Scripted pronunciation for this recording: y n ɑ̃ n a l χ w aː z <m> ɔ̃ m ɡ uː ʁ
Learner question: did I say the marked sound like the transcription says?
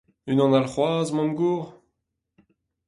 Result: yes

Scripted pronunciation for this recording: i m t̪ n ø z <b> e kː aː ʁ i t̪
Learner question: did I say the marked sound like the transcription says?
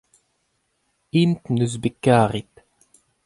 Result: yes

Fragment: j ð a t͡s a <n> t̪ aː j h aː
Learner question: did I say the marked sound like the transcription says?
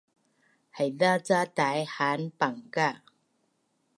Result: no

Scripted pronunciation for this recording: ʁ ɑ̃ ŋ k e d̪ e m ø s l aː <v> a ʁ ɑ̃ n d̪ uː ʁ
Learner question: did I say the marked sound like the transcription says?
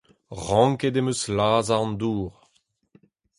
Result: no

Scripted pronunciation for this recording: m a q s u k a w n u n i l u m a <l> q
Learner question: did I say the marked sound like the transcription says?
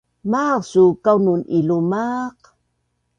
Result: no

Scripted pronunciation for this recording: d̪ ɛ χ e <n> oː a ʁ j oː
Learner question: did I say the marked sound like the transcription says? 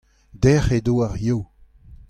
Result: no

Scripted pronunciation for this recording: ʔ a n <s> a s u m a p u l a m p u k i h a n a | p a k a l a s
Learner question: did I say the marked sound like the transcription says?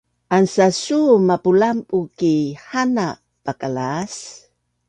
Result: yes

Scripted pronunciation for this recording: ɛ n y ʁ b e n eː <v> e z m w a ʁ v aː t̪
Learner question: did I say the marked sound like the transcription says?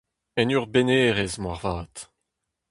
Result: no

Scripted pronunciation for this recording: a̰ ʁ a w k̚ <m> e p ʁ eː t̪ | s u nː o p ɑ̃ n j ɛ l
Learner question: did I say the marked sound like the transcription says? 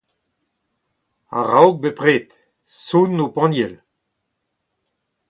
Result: no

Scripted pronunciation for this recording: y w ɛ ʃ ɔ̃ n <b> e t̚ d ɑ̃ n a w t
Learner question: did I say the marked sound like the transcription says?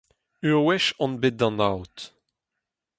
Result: yes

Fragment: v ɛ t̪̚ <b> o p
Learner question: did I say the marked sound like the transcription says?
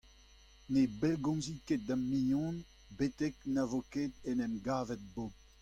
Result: yes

